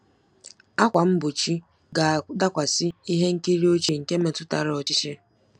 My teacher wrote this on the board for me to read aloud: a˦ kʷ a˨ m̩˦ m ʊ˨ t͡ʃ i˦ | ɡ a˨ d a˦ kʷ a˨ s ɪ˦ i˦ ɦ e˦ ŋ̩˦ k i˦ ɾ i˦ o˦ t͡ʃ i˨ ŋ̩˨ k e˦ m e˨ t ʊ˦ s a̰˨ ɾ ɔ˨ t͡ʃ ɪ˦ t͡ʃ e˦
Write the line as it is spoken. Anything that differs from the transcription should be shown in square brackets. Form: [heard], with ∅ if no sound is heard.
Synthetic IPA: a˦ kʷ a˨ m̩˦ [b] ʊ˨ t͡ʃ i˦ | ɡ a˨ d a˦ kʷ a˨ s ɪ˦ i˦ ɦ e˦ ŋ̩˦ k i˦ ɾ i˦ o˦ t͡ʃ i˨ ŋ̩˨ k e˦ m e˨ t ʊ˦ [t] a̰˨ ɾ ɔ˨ t͡ʃ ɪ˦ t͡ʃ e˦